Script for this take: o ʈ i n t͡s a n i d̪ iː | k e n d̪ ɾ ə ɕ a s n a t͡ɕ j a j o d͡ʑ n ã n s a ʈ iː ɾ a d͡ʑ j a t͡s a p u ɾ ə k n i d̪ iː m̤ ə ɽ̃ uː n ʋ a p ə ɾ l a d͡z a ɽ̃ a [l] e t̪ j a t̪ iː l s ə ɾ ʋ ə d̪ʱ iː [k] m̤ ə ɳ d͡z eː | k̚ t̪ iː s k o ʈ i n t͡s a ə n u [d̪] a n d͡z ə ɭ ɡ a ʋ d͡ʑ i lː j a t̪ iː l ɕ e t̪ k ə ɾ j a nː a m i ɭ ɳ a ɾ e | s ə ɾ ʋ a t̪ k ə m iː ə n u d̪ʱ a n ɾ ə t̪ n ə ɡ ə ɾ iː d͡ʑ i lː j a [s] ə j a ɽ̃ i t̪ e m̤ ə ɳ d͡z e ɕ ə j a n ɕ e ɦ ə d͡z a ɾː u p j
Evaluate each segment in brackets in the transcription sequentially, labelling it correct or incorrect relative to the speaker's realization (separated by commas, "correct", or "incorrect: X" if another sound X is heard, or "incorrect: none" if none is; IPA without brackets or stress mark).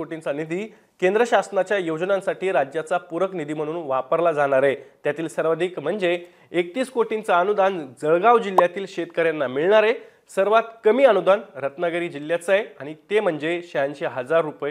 incorrect: ɾ, correct, correct, incorrect: t͡s